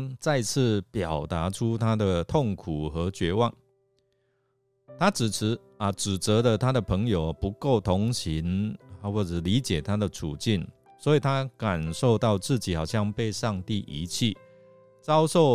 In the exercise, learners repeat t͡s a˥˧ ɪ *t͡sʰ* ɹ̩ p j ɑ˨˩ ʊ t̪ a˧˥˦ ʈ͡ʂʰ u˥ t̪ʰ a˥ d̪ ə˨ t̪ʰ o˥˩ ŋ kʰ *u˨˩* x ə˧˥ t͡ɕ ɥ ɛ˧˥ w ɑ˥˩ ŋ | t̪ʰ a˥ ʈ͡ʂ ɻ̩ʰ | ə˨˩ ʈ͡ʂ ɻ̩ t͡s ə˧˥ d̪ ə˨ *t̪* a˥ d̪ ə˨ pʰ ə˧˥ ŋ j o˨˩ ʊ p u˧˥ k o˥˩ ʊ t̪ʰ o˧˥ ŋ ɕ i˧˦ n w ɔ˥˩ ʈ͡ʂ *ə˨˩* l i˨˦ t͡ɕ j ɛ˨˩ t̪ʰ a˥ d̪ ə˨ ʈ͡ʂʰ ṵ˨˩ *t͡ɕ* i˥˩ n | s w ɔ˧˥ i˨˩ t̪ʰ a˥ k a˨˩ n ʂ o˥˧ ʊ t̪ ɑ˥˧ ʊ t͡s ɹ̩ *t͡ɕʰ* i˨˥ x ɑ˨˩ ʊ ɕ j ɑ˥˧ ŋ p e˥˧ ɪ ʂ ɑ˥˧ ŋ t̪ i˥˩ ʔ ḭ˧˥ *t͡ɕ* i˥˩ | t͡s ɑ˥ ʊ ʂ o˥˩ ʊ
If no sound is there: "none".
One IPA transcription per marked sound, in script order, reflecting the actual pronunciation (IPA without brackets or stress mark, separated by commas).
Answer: t͡sʰ, u˨˩, t̪ʰ, ə˨˩, t͡ɕ, t͡ɕ, t͡ɕʰ